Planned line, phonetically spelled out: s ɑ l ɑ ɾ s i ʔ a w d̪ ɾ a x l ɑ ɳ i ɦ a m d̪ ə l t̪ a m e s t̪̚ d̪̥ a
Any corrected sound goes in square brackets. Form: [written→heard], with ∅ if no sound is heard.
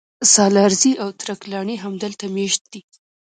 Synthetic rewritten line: s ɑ l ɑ ɾ [s→z] i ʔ a w [d̪→t̪] ɾ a [x→k] l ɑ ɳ i ɦ a m d̪ ə l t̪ a m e [s→ʃ] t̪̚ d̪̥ [a→i]

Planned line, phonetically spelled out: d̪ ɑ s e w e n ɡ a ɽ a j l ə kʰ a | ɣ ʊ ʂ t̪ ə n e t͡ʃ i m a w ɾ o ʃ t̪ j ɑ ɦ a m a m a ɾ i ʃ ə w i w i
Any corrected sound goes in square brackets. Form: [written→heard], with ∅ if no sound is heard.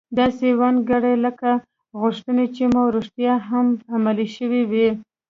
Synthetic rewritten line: d̪ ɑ s e w [e→a] n ɡ a ɽ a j l ə [kʰ→k] a | ɣ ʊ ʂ t̪ ə n e t͡ʃ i m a w ɾ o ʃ t̪ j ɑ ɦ a m a m a [ɾ→l] i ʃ ə w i w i

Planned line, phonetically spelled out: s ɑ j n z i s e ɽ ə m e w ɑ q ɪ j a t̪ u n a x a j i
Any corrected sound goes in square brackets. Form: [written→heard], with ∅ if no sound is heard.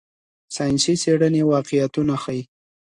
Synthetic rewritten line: s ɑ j n [z→s] i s e ɽ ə [m→n] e w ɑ q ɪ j a t̪ u n a x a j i

